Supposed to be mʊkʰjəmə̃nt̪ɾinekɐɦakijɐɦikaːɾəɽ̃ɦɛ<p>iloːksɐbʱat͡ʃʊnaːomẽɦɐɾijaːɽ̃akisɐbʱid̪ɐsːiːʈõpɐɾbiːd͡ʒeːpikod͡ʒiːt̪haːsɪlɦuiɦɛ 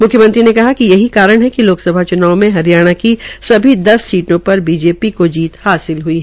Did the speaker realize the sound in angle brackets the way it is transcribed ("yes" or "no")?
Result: no